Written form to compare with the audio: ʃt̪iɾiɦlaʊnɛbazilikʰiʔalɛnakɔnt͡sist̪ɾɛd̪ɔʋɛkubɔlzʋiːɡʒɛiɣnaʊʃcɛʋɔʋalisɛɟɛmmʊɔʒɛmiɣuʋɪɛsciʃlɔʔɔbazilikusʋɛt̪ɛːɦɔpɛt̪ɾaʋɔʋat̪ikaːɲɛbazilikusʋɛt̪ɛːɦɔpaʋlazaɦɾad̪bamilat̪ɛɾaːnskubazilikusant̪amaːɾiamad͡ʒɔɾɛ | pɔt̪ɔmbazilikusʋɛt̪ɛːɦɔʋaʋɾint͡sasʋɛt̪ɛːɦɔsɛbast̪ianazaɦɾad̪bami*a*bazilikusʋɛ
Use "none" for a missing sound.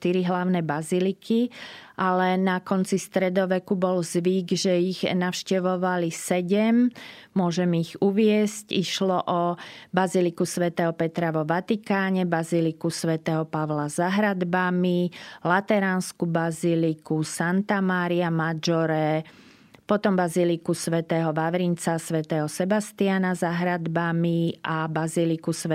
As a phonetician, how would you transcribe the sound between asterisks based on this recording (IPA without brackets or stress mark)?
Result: a